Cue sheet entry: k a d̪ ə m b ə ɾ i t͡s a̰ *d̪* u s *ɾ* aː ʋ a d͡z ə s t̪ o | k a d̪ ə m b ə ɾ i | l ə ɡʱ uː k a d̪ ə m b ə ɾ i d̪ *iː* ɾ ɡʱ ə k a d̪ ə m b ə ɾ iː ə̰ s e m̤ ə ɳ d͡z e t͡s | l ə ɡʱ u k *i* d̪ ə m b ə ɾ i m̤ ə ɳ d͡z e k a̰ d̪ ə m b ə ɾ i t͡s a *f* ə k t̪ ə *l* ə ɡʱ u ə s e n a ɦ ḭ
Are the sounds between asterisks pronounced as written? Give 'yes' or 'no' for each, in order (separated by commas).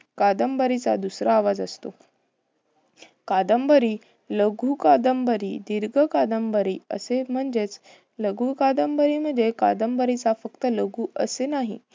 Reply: yes, yes, no, no, yes, yes